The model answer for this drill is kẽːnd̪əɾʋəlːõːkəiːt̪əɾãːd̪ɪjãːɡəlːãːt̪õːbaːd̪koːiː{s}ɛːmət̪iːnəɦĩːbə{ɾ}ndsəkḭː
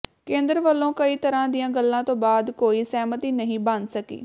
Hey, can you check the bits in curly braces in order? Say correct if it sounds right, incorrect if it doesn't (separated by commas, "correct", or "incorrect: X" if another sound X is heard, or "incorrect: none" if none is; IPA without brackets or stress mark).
correct, incorrect: none